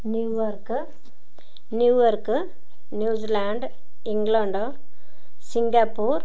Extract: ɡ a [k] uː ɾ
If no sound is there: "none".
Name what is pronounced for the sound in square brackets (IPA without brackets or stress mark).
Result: p